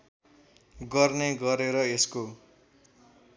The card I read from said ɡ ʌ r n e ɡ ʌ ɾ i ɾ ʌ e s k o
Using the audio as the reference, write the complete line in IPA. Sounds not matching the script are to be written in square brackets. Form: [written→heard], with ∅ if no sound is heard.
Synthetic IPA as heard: ɡ ʌ r n e ɡ ʌ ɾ [i→e] ɾ ʌ e s k o